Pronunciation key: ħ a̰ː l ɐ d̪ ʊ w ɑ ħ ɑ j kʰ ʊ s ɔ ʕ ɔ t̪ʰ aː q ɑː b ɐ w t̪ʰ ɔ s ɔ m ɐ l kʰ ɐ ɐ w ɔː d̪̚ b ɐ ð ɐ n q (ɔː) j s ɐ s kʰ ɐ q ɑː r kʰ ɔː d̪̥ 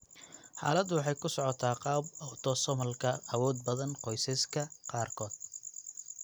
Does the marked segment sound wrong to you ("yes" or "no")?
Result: yes